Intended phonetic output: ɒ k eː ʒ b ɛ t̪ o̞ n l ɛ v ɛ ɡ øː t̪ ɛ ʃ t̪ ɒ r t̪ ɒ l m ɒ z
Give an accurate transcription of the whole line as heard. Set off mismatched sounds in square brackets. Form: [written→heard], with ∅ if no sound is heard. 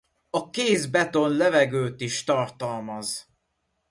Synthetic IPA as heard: ɒ k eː [ʒ→z] b ɛ t̪ o̞ n l ɛ v ɛ ɡ øː t̪ [ɛ→i] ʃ t̪ ɒ r t̪ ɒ l m ɒ z